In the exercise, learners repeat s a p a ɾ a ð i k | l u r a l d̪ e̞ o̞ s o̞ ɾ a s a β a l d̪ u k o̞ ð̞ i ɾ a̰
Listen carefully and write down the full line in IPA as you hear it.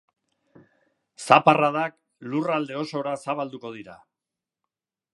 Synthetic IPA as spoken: s a p a r a ð a k | l u r a l d̪ e̞ o̞ s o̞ ɾ a s a β a l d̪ u k o̞ ð̞ i ɾ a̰